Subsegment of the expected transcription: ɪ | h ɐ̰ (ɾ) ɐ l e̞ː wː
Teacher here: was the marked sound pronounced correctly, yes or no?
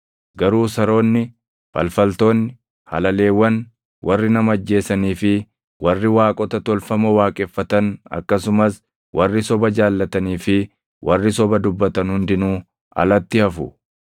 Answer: no